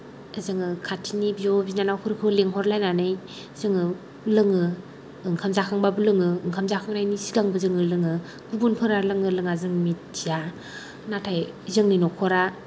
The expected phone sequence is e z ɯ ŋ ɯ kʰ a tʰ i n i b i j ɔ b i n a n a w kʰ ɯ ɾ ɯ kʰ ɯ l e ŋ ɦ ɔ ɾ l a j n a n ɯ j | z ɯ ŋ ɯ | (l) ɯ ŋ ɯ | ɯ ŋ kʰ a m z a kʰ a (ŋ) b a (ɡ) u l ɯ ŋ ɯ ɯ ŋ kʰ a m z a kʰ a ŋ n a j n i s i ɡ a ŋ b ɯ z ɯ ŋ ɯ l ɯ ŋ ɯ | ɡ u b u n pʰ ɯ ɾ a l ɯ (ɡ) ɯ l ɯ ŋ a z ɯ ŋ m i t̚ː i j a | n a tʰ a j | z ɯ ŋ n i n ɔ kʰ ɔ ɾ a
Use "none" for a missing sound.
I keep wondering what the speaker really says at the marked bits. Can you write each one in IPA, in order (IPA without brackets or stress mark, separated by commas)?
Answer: l, ŋ, b, ŋ